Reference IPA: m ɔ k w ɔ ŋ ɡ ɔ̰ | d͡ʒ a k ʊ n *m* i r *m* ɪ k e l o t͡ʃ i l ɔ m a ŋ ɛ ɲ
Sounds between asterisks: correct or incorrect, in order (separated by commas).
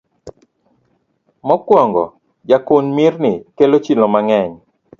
correct, incorrect